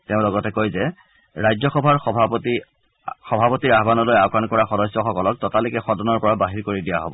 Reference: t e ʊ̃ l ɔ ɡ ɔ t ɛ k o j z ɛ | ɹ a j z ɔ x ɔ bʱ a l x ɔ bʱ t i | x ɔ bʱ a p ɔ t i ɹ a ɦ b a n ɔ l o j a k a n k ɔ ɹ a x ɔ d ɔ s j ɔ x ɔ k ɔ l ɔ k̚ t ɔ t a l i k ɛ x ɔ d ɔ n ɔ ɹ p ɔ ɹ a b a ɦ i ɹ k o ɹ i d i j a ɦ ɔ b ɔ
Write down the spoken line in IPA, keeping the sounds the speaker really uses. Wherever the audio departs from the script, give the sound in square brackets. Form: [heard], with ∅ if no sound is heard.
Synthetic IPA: t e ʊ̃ l ɔ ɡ ɔ t ɛ k o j z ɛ | ɹ a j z ɔ x ɔ bʱ a [ɹ] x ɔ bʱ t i | x ɔ bʱ a p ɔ t i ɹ a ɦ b a n ɔ l o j a k a n k ɔ ɹ a x ɔ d ɔ s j ɔ x ɔ k ɔ l ɔ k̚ t ɔ t a l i k ɛ x ɔ d ɔ n ɔ ɹ p ɔ ɹ a b a ɦ i ɹ k o ɹ i d i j a ɦ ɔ b ɔ